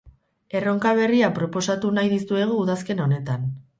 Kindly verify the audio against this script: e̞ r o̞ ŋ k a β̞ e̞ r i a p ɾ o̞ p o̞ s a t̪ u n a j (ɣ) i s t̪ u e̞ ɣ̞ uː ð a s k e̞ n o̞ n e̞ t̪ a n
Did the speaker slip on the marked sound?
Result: yes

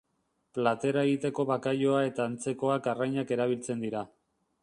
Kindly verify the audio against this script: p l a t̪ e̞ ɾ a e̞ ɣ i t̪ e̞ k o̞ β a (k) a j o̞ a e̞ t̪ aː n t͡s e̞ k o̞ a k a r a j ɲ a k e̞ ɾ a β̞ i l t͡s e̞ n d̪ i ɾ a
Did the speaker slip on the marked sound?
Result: no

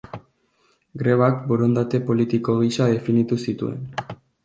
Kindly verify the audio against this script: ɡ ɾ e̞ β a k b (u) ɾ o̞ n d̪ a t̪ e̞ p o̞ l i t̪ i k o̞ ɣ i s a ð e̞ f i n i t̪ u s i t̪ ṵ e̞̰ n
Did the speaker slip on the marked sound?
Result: yes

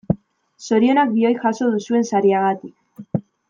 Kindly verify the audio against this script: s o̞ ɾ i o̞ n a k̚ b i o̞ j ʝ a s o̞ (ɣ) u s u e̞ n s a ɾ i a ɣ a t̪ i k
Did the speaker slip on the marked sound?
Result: yes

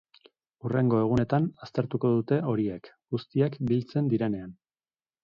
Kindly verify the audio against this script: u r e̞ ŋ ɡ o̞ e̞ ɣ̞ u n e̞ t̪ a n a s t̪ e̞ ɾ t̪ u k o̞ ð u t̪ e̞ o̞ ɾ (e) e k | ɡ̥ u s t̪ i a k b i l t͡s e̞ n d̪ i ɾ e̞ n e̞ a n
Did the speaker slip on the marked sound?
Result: yes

